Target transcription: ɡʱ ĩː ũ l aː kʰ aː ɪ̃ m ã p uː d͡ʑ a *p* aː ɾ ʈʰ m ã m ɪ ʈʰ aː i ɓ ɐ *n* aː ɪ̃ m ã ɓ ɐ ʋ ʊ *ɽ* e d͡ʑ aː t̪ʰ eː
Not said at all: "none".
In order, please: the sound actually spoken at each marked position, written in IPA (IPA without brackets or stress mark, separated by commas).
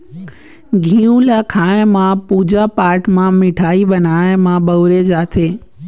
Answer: p, n, ɾ